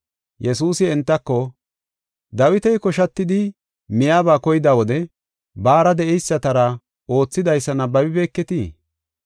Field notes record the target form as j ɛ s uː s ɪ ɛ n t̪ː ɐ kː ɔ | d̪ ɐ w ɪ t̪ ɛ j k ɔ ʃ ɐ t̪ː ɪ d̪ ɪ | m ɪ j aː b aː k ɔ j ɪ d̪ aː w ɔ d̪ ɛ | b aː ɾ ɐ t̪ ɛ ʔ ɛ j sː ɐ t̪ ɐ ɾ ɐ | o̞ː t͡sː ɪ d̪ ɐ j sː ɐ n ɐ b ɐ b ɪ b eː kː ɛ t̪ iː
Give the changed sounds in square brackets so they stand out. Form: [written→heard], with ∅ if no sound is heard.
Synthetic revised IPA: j ɛ s uː s ɪ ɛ n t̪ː ɐ kː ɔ | d̪ ɐ w ɪ t̪ ɛ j k ɔ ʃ ɐ t̪ː ɪ d̪ ɪ | m ɪ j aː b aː k ɔ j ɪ d̪ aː w ɔ d̪ ɛ | b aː ɾ ɐ [t̪→d̪] ɛ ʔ ɛ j sː ɐ t̪ ɐ ɾ ɐ | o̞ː t͡sː ɪ d̪ ɐ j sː ɐ n ɐ b ɐ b ɪ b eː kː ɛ t̪ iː

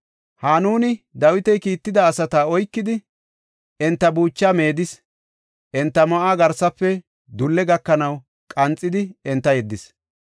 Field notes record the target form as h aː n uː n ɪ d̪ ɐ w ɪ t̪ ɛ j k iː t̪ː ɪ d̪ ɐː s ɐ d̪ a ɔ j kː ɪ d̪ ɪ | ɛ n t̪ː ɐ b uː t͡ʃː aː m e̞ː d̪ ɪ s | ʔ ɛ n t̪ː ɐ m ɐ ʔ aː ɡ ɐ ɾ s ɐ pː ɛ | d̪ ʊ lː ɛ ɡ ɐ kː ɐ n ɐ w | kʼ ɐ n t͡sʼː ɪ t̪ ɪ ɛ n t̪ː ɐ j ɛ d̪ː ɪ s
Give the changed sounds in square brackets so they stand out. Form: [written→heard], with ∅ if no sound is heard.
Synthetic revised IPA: h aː n uː n ɪ d̪ ɐ w ɪ t̪ ɛ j k iː t̪ː ɪ d̪ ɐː s ɐ [d̪→t̪] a ɔ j kː ɪ d̪ ɪ | ɛ n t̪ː ɐ b uː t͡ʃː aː m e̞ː d̪ ɪ s | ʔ ɛ n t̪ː ɐ m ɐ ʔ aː ɡ ɐ ɾ s ɐ pː ɛ | d̪ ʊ lː ɛ ɡ ɐ kː ɐ n ɐ w | kʼ ɐ n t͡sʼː ɪ [t̪→d̪] ɪ ɛ n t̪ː ɐ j ɛ d̪ː ɪ s

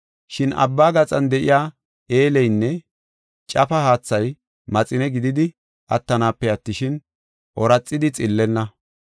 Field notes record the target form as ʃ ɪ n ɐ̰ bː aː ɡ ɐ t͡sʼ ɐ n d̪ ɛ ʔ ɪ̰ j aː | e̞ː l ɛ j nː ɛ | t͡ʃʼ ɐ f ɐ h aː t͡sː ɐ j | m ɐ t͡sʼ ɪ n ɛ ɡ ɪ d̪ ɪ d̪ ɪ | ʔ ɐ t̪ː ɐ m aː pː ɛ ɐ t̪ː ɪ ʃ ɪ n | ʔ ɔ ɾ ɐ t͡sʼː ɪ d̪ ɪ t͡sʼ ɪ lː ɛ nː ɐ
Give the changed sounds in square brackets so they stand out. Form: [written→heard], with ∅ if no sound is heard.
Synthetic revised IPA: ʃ ɪ n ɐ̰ bː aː ɡ ɐ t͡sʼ ɐ n d̪ ɛ ʔ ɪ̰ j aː | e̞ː l ɛ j nː ɛ | t͡ʃʼ ɐ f ɐ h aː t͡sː ɐ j | m ɐ t͡sʼ ɪ n ɛ ɡ ɪ d̪ ɪ d̪ ɪ | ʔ ɐ t̪ː ɐ [m→n] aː pː ɛ ɐ t̪ː ɪ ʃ ɪ n | ʔ ɔ ɾ ɐ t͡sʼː ɪ d̪ ɪ t͡sʼ ɪ lː ɛ nː ɐ

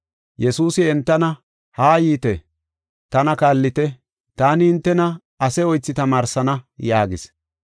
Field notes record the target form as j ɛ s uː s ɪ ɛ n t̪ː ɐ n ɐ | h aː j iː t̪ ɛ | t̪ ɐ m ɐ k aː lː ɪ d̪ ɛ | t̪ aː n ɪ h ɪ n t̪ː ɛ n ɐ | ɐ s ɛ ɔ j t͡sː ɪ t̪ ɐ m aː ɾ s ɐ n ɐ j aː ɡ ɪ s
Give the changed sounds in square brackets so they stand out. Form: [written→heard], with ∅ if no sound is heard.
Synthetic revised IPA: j ɛ s uː s ɪ ɛ n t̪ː ɐ n ɐ | h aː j iː t̪ ɛ | t̪ ɐ [m→n] ɐ k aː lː ɪ [d̪→t̪] ɛ | t̪ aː n ɪ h ɪ n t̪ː ɛ n ɐ | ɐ s ɛ ɔ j t͡sː ɪ t̪ ɐ m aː ɾ s ɐ n ɐ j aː ɡ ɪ s

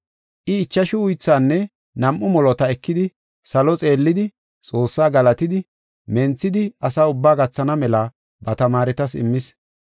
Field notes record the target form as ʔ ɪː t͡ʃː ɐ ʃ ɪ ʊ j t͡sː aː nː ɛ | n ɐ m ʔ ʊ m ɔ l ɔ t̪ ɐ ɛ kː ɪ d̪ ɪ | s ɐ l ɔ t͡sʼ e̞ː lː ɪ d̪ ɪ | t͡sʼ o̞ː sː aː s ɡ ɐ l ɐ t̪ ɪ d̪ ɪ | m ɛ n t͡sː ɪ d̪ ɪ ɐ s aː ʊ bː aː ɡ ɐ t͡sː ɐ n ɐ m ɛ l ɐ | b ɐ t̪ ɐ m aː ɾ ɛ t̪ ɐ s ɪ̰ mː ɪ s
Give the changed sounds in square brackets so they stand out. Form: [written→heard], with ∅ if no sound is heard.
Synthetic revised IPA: ʔ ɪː t͡ʃː ɐ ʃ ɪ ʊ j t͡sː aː nː ɛ | n ɐ m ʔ ʊ m ɔ l ɔ t̪ ɐ ɛ kː ɪ d̪ ɪ | s ɐ l ɔ t͡sʼ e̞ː lː ɪ d̪ ɪ | t͡sʼ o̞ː sː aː [s→∅] ɡ ɐ l ɐ t̪ ɪ d̪ ɪ | m ɛ n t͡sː ɪ d̪ ɪ ɐ s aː ʊ bː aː ɡ ɐ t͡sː ɐ n ɐ m ɛ l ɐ | b ɐ t̪ ɐ m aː ɾ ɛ t̪ ɐ s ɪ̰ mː ɪ s

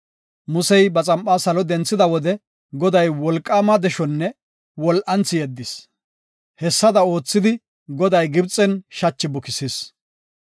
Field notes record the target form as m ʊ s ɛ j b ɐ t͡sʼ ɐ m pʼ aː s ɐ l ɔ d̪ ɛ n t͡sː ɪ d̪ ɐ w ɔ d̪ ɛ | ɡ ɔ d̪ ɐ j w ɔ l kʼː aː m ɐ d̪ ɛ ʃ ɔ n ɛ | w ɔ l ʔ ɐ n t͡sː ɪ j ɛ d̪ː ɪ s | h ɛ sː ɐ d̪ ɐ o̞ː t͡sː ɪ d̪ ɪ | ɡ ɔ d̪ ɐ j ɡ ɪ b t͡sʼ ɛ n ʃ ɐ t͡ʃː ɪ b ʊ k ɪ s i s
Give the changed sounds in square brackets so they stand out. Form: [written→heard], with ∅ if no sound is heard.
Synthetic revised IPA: m ʊ s ɛ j b ɐ t͡sʼ ɐ m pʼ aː s ɐ l ɔ d̪ ɛ n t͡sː ɪ d̪ ɐ w ɔ d̪ ɛ | ɡ ɔ d̪ ɐ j w ɔ l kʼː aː m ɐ d̪ ɛ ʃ ɔ [n→nː] ɛ | w ɔ l ʔ ɐ n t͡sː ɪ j ɛ d̪ː ɪ s | h ɛ sː ɐ d̪ ɐ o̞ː t͡sː ɪ d̪ ɪ | ɡ ɔ d̪ ɐ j ɡ ɪ b t͡sʼ ɛ n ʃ ɐ t͡ʃː ɪ b ʊ k ɪ s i s

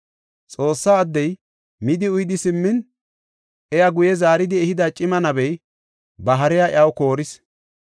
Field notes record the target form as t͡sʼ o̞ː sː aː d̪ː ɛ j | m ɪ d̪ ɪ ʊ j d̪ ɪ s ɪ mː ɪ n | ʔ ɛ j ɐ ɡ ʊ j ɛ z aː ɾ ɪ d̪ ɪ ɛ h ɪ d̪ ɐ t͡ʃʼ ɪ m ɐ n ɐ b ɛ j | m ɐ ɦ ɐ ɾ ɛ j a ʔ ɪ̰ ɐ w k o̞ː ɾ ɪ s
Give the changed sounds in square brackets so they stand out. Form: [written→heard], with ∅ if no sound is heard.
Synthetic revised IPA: t͡sʼ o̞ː sː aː d̪ː ɛ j | m ɪ d̪ ɪ ʊ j d̪ ɪ s ɪ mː ɪ n | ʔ ɛ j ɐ ɡ ʊ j ɛ z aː ɾ ɪ d̪ ɪ ɛ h ɪ d̪ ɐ t͡ʃʼ ɪ m ɐ n ɐ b ɛ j | [m→b] ɐ ɦ ɐ ɾ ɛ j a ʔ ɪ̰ ɐ w k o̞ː ɾ ɪ s

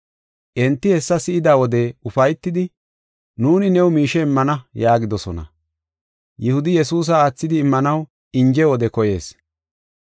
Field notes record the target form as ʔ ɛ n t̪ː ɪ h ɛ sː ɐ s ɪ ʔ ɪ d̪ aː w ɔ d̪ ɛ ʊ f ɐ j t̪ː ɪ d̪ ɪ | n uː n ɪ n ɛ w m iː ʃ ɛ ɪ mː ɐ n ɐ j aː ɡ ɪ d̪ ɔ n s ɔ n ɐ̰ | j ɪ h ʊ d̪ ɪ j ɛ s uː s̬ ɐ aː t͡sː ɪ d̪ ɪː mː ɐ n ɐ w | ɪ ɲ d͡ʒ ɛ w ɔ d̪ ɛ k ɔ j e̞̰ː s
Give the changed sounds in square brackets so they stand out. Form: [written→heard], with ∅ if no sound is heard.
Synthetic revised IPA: ʔ ɛ n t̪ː ɪ h ɛ sː ɐ s ɪ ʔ ɪ d̪ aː w ɔ d̪ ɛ ʊ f ɐ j t̪ː ɪ d̪ ɪ | n uː n ɪ n ɛ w m iː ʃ ɛ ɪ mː ɐ n ɐ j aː ɡ ɪ d̪ ɔ [n→∅] s ɔ n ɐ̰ | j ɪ h ʊ d̪ ɪ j ɛ s uː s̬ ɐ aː t͡sː ɪ d̪ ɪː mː ɐ n ɐ w | ɪ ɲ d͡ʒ ɛ w ɔ d̪ ɛ k ɔ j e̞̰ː s

